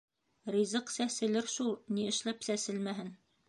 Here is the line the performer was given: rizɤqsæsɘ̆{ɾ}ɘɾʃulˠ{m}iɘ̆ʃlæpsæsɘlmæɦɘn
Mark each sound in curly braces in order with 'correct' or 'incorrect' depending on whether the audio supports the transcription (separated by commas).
incorrect, incorrect